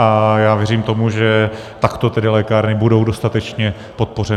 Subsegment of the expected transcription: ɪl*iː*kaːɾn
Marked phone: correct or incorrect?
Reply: incorrect